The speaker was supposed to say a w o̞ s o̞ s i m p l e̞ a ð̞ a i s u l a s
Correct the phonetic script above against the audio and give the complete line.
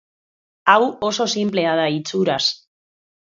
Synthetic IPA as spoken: a w o̞ s o̞ s i m p l e̞ a ð̞ a i t͡s u ɾ a s